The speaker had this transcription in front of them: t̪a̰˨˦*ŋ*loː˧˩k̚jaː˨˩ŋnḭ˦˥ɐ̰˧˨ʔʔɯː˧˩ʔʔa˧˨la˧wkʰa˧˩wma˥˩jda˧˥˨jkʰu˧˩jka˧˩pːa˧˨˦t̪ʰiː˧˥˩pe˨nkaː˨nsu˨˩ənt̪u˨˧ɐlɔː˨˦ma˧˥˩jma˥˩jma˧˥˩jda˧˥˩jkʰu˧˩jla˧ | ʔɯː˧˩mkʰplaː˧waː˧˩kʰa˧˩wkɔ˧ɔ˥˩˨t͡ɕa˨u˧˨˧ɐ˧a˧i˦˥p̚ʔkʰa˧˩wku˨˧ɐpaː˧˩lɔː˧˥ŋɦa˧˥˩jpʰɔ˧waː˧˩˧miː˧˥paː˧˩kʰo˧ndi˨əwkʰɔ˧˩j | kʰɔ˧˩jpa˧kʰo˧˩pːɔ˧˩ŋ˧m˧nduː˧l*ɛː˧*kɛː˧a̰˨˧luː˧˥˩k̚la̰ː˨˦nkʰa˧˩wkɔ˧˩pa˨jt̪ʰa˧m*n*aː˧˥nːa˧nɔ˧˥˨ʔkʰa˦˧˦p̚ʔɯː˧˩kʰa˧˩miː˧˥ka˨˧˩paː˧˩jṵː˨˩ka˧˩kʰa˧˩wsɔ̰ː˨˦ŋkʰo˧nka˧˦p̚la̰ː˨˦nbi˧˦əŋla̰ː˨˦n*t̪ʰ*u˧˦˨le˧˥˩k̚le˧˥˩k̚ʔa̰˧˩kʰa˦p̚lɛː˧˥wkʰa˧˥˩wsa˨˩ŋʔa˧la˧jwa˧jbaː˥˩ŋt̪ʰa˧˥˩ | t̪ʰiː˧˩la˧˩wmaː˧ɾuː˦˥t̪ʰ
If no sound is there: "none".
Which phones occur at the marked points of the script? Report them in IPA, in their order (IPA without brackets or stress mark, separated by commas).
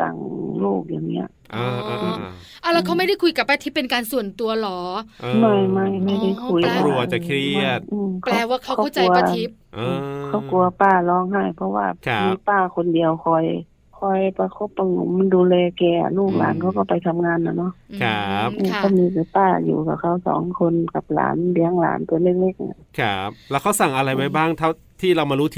ŋ, ɛː˧, ŋ, t̪